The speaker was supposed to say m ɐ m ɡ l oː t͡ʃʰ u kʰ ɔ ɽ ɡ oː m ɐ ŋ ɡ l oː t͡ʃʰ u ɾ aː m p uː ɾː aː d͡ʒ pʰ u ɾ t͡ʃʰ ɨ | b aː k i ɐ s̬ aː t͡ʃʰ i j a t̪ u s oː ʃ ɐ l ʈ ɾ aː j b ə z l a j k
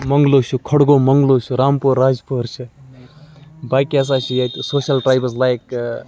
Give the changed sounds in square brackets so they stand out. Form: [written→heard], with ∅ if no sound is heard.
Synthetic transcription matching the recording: m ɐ [m→ŋ] ɡ l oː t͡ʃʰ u kʰ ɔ ɽ ɡ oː m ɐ ŋ ɡ l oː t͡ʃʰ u ɾ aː m p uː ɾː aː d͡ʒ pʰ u ɾ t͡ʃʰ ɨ | b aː k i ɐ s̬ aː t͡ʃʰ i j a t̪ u s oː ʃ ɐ l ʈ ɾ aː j b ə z l a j k